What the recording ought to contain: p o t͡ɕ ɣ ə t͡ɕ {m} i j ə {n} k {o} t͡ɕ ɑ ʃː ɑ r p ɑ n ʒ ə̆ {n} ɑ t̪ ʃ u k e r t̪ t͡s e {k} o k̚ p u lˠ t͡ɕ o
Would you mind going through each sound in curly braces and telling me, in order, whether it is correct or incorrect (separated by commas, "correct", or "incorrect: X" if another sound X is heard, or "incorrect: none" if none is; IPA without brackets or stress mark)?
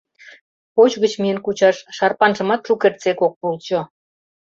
correct, correct, incorrect: u, incorrect: m, correct